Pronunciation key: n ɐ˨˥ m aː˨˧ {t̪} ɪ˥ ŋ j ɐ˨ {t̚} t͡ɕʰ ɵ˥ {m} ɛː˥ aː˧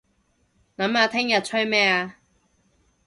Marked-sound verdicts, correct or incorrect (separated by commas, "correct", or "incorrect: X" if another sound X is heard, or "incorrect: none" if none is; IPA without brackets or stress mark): incorrect: t̪ʰ, correct, correct